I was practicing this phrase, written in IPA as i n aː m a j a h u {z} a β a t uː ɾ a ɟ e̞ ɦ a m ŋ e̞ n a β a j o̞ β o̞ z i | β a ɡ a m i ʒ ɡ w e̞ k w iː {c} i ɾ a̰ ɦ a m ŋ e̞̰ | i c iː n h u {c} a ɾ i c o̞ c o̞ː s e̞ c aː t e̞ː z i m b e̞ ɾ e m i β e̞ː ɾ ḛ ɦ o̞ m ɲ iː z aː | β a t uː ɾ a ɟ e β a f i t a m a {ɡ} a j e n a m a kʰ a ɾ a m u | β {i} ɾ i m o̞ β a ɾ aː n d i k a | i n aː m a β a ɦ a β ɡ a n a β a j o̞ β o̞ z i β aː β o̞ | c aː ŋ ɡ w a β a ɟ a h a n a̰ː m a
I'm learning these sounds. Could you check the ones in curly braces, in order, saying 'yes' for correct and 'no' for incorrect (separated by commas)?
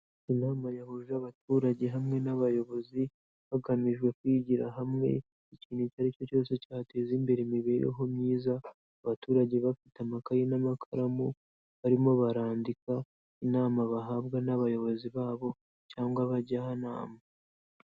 no, no, yes, no, no